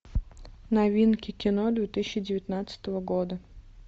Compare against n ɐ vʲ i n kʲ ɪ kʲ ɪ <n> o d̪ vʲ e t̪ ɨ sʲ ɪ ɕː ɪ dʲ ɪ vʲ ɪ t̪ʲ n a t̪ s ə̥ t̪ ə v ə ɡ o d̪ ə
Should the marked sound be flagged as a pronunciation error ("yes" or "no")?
no